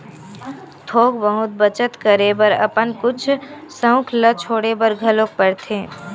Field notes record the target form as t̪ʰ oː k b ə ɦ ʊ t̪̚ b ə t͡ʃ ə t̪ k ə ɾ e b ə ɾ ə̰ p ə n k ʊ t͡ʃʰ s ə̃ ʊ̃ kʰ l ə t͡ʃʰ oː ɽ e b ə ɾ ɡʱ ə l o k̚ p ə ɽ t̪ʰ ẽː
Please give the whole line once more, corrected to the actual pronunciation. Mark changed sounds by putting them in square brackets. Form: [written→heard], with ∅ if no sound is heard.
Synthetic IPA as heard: t̪ʰ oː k b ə ɦ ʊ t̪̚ b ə t͡ʃ ə t̪ k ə ɾ e b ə ɾ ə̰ p ə n k ʊ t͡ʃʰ s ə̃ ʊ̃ kʰ l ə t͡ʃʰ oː ɽ e b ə ɾ ɡʱ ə l o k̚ p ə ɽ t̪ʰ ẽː